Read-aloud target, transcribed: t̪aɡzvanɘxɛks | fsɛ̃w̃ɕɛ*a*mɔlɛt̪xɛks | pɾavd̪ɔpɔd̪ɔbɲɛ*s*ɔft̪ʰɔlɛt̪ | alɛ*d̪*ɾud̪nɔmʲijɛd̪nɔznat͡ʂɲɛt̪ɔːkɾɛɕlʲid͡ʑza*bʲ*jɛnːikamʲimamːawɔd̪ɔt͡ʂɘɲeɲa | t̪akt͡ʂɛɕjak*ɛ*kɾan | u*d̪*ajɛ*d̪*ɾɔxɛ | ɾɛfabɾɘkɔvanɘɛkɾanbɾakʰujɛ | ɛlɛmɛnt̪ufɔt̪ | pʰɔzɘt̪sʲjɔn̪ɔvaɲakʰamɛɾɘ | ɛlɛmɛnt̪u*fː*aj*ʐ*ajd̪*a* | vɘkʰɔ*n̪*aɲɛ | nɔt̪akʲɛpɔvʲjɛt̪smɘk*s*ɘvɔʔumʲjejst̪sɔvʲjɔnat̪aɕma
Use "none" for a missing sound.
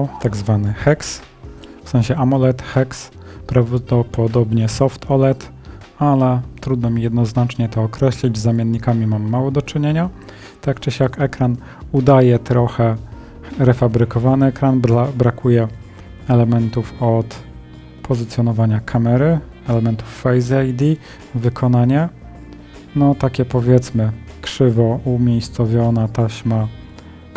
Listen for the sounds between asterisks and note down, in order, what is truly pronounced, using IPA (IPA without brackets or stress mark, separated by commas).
a, s, t̪, mʲ, ɛ, d̪, t̪, fː, z, i, n̪, ʂ